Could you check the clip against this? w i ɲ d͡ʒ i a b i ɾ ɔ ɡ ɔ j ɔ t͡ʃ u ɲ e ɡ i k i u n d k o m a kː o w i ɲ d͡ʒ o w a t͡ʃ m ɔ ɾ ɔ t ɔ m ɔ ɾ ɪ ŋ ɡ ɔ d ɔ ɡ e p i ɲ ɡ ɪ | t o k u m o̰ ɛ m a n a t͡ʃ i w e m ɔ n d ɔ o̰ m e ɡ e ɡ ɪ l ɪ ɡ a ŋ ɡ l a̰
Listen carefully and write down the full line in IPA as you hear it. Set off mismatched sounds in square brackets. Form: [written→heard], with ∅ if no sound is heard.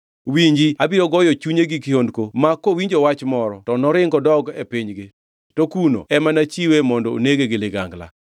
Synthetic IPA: w i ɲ d͡ʒ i a b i ɾ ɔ ɡ ɔ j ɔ t͡ʃ u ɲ e ɡ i k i [u→o] n d k o m a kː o w i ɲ d͡ʒ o w a t͡ʃ m ɔ ɾ ɔ t ɔ [m→n] ɔ ɾ ɪ ŋ ɡ ɔ d ɔ ɡ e p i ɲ ɡ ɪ | t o k u [m→n] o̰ ɛ m a n a t͡ʃ i w e m ɔ n d ɔ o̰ [m→n] e ɡ e ɡ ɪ l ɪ ɡ a ŋ ɡ l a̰